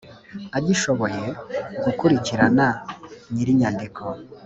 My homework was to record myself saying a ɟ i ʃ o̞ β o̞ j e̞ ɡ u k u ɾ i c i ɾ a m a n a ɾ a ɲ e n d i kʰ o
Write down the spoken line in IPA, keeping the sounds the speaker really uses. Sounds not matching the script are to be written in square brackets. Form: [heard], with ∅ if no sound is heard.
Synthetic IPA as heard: a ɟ i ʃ o̞ β o̞ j e̞ ɡ u k u ɾ i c i ɾ a [n] a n [i] ɾ [i] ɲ [a] n d i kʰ o